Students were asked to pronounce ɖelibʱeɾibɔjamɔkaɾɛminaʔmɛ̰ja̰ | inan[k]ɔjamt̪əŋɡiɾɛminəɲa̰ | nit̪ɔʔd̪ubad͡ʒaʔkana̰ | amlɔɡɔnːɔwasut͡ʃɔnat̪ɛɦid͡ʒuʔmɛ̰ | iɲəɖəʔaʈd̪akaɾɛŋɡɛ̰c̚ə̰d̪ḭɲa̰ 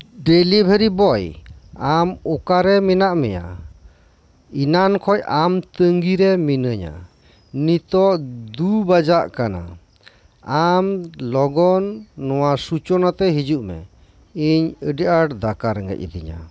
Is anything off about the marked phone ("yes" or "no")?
yes